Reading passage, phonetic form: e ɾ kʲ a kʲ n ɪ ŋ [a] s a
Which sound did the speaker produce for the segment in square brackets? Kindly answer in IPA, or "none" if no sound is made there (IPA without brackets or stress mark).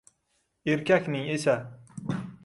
e